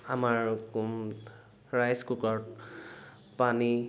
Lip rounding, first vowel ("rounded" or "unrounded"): unrounded